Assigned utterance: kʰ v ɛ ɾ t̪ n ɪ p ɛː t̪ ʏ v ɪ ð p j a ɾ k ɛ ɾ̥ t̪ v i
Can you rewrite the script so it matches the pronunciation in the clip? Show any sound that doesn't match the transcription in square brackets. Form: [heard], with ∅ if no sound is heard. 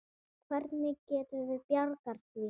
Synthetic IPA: kʰ v ɛ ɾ t̪ n ɪ [c] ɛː t̪ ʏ v ɪ ð p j a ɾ k [a] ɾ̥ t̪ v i